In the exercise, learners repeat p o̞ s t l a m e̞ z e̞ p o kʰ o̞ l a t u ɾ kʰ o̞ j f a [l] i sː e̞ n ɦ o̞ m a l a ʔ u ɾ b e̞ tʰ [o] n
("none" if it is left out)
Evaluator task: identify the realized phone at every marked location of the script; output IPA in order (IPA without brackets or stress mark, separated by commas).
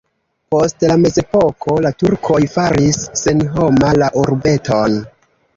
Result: ɾ, o